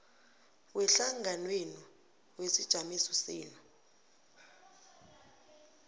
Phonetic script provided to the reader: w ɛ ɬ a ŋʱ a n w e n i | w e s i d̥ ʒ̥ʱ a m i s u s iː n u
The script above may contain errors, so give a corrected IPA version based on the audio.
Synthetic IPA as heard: w ɛ ɬ a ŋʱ a n w e n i | w e s i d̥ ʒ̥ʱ a m i s ɔ s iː n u

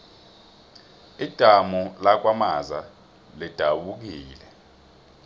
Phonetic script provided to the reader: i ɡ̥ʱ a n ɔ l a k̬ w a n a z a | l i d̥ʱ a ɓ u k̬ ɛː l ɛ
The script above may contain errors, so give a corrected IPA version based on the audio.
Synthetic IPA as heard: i d̥ʱ a m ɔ l a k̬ w a m a z a | l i d̥ʱ a ɓ u k̬ iː l ɛ

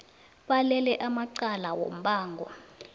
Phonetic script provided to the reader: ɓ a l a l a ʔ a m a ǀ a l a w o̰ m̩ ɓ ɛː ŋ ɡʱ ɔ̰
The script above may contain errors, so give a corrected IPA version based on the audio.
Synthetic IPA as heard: ɓ a l ɛ l ɛ ʔ a m a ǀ a l a w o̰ m̩ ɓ aː ŋ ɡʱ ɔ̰

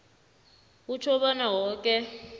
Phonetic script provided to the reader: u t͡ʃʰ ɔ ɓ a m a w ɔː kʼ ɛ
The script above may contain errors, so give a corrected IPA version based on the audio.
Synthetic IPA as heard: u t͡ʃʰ ɔ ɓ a n a w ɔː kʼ ɛ

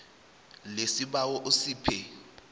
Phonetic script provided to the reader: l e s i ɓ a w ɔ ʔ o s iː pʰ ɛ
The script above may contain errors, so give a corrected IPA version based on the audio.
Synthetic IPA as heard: l e s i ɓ a w ɔ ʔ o s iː pʰ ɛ

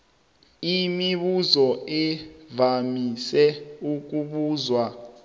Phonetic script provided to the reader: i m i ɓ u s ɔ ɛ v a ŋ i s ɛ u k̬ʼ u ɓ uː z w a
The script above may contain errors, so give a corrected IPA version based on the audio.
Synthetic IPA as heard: i m i ɓ u z ɔ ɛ v a m i s ɛ u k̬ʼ u ɓ uː z w a

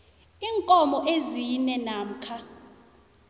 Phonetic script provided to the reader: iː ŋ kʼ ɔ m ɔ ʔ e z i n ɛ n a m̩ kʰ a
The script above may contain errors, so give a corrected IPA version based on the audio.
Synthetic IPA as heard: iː ŋ kʼ ɔ m ɔ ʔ e z i n ɛ n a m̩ kʰ a

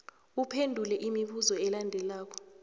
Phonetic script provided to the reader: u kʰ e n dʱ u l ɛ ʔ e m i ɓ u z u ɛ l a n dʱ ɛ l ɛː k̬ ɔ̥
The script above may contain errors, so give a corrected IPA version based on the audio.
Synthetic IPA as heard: u pʰ e n dʱ u l ɛ ʔ i m i ɓ u z ɔ ɛ l a n dʱ ɛ l aː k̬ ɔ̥

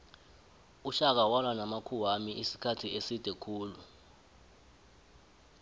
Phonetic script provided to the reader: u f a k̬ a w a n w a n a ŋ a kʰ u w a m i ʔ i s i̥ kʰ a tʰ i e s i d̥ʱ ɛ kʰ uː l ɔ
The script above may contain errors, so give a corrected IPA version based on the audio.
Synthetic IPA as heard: u ʃ a k̬ a w a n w a n a m a kʰ u w a m i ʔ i s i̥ kʰ a tʰ i e s i d̥ʱ ɛ kʰ uː l u

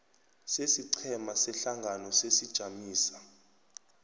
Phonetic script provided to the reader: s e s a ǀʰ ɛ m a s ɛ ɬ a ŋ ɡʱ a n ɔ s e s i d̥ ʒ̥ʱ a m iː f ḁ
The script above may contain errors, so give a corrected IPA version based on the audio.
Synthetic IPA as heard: s e s i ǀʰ ɛ m a s ɛ ɬ a ŋ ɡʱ a n ɔ s e s i d̥ ʒ̥ʱ a m iː s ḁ

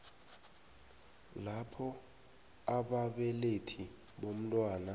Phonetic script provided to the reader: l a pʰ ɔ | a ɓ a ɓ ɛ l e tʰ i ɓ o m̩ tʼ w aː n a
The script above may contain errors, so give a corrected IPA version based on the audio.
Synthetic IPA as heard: l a pʰ ɔ | a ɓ a ɓ ɛ l e tʰ i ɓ o m̩ tʼ w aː n a

